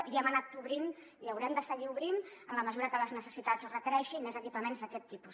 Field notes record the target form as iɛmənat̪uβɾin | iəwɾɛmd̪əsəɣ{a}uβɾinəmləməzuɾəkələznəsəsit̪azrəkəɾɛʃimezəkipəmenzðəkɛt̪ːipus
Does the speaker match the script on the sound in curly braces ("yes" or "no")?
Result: no